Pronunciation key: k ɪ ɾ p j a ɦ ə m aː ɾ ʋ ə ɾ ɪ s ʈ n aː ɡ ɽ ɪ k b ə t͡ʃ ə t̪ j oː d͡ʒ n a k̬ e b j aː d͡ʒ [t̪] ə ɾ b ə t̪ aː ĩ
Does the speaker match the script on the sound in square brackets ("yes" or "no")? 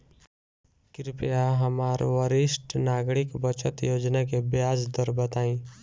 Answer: no